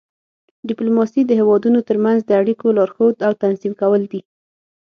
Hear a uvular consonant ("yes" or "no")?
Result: no